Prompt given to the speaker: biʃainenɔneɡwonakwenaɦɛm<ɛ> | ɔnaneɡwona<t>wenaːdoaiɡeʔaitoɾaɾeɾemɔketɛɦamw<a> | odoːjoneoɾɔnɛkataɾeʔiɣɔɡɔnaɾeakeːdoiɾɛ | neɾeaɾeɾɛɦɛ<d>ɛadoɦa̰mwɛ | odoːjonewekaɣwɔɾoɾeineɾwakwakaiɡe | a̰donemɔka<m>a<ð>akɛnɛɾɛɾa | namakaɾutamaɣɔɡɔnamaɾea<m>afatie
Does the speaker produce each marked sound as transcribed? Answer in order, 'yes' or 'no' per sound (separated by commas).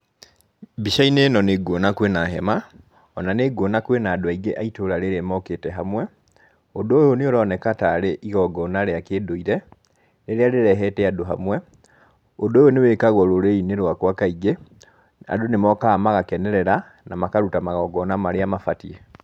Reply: no, no, no, no, yes, no, yes